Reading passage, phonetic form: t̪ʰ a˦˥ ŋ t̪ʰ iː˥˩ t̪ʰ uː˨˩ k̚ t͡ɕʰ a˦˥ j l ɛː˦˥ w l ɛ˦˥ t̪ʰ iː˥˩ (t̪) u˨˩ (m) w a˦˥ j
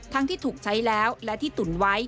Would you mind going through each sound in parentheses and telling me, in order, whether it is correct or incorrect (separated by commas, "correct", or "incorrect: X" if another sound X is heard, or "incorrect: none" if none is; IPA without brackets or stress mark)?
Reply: correct, incorrect: n